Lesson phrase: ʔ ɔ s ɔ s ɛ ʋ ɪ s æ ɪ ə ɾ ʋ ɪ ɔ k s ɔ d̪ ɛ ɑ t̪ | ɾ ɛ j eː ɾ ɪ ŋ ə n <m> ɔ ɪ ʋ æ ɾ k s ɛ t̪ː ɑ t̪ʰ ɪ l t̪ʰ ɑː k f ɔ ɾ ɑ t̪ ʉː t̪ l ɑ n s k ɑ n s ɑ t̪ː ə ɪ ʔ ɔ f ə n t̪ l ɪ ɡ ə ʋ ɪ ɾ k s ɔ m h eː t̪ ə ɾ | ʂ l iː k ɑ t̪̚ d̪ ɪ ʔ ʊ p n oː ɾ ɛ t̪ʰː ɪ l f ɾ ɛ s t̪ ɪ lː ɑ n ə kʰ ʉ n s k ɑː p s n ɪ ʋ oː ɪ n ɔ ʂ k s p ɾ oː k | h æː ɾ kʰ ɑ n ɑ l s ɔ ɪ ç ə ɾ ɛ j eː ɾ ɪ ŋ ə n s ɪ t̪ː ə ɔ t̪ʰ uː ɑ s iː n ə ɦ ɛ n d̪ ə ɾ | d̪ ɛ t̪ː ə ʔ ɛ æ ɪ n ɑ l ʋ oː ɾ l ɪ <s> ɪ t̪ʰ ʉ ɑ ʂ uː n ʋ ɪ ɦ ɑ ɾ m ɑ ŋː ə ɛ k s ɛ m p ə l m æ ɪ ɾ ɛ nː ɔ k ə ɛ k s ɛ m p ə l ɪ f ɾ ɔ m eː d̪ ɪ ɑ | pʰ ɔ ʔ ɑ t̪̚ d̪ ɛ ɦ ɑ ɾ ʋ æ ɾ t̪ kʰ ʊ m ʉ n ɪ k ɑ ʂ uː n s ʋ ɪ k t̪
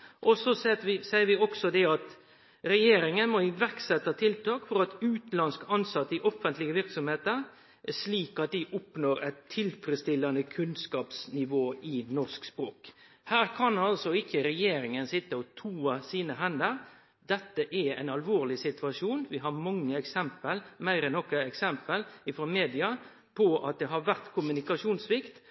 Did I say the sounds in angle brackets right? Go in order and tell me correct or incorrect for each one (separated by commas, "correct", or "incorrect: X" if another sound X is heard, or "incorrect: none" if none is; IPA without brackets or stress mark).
correct, correct